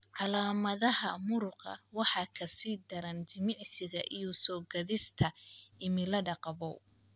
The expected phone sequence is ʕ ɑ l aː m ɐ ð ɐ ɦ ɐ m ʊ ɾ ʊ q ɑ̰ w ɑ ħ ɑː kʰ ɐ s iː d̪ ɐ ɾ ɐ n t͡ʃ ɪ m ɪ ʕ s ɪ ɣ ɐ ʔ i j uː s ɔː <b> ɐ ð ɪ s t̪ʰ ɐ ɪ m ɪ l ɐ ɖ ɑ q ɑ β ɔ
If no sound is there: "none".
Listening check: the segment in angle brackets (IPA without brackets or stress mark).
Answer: ɡ